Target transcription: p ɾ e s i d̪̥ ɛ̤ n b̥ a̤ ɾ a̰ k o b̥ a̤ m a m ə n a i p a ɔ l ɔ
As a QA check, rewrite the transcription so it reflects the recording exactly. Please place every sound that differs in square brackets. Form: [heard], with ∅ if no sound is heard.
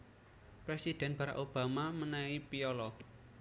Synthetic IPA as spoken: p ɾ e s i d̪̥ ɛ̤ n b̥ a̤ ɾ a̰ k o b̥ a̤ m a m ə n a i p [i] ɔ l ɔ